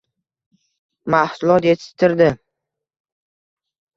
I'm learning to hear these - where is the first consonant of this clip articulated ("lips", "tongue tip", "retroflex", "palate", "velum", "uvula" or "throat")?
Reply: lips